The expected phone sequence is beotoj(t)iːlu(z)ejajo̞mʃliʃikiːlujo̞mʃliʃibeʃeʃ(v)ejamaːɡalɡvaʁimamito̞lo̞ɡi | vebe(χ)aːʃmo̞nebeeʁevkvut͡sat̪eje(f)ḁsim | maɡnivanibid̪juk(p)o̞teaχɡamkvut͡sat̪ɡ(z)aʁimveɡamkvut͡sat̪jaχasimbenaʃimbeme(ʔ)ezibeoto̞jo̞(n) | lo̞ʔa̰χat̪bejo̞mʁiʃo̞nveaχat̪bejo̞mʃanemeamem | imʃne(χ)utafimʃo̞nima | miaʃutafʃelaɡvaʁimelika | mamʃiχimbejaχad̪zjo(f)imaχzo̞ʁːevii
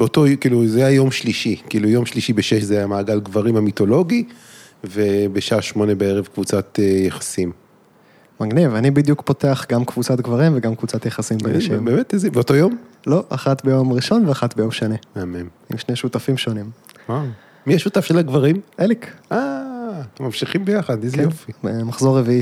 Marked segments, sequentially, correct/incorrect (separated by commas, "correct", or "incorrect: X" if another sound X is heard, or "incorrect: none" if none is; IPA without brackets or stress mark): incorrect: k, correct, incorrect: z, incorrect: ʃ, incorrect: χ, correct, incorrect: v, incorrect: t, incorrect: m, incorrect: ʃ, correct